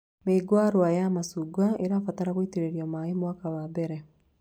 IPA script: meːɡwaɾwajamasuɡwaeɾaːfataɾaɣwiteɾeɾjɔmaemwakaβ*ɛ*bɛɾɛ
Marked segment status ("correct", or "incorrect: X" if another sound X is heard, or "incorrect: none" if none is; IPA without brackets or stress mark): incorrect: a